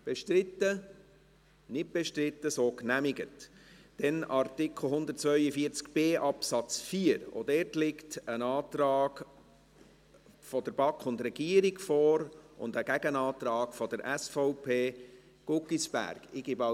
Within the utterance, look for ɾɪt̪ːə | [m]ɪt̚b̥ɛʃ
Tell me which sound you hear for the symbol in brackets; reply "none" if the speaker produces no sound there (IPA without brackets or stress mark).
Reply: n